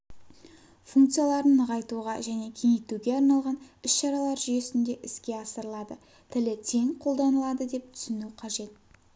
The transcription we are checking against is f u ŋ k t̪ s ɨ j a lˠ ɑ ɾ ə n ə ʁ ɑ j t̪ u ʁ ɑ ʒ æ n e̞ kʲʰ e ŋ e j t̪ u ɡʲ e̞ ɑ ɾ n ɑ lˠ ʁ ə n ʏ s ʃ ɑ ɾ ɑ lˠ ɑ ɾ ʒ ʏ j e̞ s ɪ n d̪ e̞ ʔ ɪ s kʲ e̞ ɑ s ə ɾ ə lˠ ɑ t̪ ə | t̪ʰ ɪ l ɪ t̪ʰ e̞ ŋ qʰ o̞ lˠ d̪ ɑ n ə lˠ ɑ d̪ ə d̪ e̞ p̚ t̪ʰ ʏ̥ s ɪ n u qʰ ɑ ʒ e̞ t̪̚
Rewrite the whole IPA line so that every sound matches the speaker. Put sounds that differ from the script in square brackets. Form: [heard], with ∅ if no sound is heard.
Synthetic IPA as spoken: f u ŋ k t̪ s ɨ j a lˠ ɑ ɾ ə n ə ʁ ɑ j t̪ u ʁ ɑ ʒ æ n e̞ kʲʰ e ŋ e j t̪ u ɡʲ e̞ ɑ ɾ n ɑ lˠ ʁ [ɑ] n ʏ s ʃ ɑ ɾ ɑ lˠ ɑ ɾ ʒ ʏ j e̞ s ɪ n d̪ e̞ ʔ ɪ s kʲ e̞ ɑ s ə ɾ ə lˠ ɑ [d̪] ə | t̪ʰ ɪ l ɪ t̪ʰ e̞ ŋ qʰ o̞ lˠ d̪ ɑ n ə lˠ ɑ d̪ ə d̪ e̞ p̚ t̪ʰ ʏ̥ s ɪ n u qʰ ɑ ʒ e̞ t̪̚